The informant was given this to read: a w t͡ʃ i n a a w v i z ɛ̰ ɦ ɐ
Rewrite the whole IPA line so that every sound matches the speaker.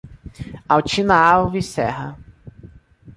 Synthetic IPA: a w t͡ʃ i n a a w v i s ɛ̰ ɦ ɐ